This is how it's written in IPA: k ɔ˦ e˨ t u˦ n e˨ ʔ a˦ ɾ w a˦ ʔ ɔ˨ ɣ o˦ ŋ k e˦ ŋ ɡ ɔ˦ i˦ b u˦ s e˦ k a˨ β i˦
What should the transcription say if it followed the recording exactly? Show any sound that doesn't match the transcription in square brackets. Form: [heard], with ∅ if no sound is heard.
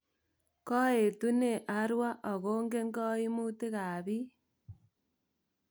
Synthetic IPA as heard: k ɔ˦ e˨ t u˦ n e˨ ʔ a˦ ɾ w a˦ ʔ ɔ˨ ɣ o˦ ŋ [ɡ] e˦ ŋ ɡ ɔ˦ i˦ [m] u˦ [t] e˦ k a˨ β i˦

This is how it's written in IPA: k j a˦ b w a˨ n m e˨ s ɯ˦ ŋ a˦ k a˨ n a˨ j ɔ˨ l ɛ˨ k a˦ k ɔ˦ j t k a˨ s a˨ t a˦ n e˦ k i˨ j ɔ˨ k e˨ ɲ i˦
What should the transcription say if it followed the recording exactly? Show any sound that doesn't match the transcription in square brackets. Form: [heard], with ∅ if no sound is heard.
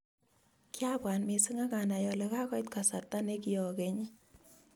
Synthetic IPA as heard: k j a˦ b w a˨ n m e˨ s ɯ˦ ŋ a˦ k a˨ n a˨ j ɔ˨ l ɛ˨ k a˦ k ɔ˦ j t k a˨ s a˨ t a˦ n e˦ k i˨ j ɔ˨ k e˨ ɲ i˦

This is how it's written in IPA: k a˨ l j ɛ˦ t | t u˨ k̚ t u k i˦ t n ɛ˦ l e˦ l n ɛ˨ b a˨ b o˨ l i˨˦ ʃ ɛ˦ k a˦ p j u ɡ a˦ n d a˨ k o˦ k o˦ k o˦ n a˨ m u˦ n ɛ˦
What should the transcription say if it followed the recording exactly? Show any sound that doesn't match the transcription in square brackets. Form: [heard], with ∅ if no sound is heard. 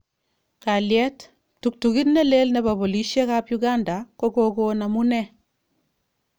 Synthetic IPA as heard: k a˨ l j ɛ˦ t | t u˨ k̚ t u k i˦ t n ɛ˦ l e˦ l n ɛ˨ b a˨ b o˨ l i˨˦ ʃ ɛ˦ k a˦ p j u ɡ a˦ n d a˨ k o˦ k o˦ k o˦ n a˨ m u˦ n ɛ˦

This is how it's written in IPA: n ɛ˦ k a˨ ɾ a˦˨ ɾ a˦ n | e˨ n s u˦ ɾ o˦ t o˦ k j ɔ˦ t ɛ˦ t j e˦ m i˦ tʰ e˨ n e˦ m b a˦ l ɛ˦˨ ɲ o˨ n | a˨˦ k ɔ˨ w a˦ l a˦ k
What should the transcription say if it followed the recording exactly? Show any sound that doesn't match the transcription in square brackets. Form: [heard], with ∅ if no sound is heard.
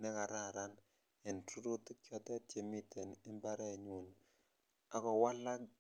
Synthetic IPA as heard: n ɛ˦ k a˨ ɾ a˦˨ ɾ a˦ n | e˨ n [t] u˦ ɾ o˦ t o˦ k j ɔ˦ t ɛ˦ t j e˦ m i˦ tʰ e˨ n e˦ m b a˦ [ɾ] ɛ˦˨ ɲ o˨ n | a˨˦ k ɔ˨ w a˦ l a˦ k

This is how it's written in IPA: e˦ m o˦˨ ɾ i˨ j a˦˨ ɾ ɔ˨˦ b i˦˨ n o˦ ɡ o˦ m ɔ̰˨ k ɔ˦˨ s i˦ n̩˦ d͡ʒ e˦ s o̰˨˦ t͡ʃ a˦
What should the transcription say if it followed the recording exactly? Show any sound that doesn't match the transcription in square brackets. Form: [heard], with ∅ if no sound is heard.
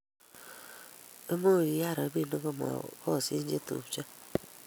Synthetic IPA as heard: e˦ m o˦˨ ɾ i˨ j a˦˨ ɾ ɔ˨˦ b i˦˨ n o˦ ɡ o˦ m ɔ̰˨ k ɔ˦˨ s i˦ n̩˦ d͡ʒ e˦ [t] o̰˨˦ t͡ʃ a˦

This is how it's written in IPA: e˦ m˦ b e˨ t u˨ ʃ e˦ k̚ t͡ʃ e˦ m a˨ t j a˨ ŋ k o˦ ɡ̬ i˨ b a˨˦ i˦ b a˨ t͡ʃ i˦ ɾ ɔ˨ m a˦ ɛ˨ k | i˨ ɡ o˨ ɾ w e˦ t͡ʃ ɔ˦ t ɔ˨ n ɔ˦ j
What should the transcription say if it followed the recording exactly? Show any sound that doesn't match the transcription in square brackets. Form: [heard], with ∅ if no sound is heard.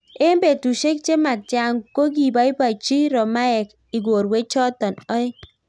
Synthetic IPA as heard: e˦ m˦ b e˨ t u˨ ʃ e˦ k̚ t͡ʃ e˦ m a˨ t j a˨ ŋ k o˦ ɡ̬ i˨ b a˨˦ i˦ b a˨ t͡ʃ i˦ ɾ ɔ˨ m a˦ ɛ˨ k | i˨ ɡ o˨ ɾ w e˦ t͡ʃ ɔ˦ t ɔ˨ n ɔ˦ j

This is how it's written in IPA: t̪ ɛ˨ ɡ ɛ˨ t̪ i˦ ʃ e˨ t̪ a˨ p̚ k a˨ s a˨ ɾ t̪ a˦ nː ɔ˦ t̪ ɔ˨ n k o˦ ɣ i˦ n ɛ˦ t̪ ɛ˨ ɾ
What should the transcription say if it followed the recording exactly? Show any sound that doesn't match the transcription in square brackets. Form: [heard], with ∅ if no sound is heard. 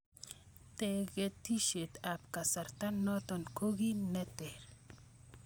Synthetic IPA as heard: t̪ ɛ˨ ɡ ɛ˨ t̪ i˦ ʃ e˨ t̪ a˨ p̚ k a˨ s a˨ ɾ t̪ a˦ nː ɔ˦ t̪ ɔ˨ n k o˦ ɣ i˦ n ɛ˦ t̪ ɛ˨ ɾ

